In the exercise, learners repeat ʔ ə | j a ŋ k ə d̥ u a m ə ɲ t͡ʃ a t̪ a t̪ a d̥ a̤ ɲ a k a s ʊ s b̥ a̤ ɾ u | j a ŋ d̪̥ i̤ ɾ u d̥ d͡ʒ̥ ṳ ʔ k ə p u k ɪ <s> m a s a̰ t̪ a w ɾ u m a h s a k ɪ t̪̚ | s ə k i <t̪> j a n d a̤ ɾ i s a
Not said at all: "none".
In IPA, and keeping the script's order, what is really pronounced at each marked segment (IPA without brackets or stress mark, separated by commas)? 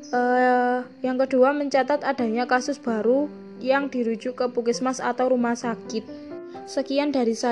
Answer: s, none